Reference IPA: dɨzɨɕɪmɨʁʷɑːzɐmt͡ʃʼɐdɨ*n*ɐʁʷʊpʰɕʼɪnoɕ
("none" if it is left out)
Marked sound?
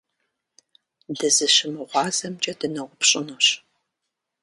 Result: n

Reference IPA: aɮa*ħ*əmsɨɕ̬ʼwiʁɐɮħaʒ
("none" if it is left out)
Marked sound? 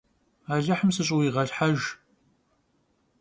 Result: ħ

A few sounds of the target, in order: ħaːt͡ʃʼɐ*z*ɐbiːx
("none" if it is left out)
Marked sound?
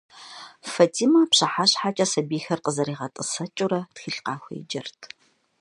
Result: s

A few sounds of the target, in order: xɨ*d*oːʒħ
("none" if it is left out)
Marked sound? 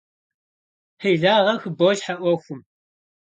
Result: b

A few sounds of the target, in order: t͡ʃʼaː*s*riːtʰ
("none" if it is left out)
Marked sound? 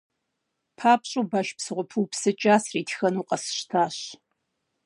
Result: s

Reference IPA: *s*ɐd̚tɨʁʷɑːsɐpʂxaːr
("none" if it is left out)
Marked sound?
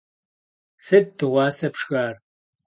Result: s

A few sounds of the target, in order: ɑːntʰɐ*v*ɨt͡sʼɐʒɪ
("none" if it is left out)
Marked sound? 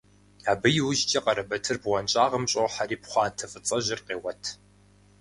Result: f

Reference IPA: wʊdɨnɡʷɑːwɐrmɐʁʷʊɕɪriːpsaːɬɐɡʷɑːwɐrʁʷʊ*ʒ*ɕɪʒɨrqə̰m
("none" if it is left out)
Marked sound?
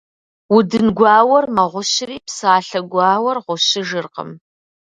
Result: none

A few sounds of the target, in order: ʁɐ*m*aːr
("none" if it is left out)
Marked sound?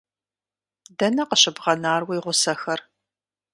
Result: n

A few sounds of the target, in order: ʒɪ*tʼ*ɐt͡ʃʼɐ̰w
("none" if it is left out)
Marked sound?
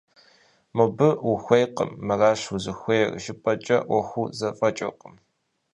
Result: pʼ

